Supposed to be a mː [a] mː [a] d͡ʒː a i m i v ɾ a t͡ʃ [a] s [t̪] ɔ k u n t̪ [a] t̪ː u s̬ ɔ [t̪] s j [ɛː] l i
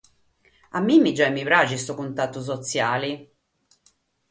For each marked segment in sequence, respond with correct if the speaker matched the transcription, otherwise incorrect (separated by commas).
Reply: incorrect, incorrect, incorrect, correct, correct, correct, incorrect